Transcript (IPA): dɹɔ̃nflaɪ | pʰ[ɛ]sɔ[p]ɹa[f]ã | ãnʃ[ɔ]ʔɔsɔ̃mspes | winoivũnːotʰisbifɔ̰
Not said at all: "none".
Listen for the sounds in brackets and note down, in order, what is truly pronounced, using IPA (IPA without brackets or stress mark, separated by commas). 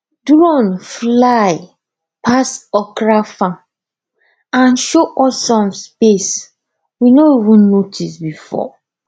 a, k, f, o